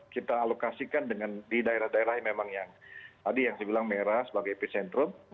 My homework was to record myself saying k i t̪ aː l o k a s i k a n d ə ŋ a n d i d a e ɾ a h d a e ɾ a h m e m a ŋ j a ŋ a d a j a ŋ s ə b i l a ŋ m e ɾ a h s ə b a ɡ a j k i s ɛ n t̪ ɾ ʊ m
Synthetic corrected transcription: k i t̪ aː l o k a s i k a n d ə ŋ a n d i d a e ɾ a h d a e ɾ a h m e m a ŋ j a ŋ a d i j a ŋ s ə b i l a ŋ m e ɾ a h s ə b a ɡ a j p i s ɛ n t̪ ɾ ʊ m